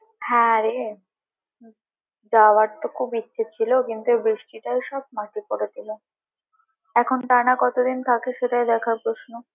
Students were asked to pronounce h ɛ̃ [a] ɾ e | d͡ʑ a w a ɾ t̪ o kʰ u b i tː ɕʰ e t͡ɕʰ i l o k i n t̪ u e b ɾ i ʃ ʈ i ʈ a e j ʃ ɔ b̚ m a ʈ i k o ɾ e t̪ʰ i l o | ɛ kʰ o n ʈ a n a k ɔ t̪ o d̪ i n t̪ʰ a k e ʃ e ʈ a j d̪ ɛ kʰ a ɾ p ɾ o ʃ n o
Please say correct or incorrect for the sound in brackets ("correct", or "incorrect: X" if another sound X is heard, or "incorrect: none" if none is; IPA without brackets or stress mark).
correct